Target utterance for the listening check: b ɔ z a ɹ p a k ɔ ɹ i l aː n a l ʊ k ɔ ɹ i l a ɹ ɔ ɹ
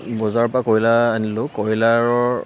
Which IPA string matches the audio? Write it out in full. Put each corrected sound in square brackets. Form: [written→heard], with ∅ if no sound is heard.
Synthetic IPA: b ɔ z a ɹ p a k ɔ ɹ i l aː n [a→i] l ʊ k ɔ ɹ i l a ɹ ɔ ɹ